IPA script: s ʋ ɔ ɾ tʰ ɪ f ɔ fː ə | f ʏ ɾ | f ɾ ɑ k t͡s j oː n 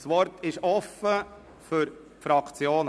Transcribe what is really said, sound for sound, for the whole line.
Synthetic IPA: s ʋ ɔ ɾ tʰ ɪ ʃ ɔ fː ə | f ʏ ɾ | f ɾ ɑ k t͡s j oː n

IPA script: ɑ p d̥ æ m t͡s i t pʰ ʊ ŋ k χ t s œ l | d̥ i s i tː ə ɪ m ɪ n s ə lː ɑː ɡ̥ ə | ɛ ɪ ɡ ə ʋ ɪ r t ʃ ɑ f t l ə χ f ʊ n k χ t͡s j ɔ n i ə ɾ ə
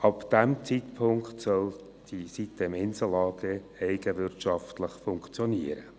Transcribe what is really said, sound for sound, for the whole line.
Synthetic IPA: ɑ p d̥ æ m t͡s i t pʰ ʊ ŋ k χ t s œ l | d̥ i s i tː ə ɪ m ɪ n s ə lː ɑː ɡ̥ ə | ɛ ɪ ɡ ə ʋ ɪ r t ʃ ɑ f t l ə χ f ʊ ŋ k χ t͡s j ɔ n i ə ɾ ə

